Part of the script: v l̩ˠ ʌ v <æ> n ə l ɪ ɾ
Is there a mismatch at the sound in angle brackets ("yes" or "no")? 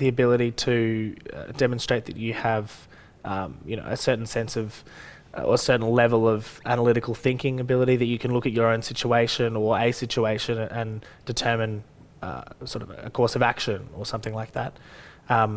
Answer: no